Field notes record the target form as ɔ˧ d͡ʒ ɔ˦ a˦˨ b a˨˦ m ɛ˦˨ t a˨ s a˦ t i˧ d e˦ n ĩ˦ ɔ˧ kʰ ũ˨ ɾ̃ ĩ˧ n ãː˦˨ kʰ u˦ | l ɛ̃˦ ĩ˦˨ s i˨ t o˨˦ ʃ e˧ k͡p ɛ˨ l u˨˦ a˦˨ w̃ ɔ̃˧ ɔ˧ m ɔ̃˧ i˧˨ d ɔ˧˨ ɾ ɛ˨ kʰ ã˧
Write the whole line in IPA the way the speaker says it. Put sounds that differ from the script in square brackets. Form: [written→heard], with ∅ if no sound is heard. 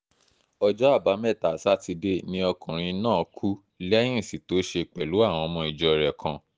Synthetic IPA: ɔ˧ d͡ʒ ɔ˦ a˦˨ b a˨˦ m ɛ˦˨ t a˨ s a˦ t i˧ d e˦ n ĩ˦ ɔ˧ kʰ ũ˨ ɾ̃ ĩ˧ n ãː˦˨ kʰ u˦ | l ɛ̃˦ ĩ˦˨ s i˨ t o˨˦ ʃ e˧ k͡p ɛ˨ l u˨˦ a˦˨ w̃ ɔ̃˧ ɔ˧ m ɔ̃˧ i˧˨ [d→d͡ʒ] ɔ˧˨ ɾ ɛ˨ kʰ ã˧